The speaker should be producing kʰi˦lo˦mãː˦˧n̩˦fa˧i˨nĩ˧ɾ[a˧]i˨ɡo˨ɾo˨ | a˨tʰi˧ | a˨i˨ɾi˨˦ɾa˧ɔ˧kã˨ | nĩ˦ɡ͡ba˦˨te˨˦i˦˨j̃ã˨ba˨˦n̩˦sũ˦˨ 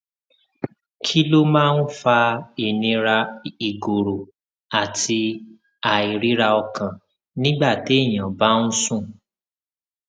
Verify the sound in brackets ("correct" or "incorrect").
correct